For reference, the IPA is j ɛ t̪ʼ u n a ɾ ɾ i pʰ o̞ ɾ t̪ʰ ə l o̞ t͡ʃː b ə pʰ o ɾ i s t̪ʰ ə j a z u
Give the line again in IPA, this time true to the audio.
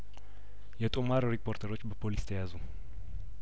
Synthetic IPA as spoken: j ɛ t̪ʼ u m a ɾ ɾ i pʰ o̞ ɾ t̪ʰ ə ɾ o̞ t͡ʃː b ə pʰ o l i s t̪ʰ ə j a z u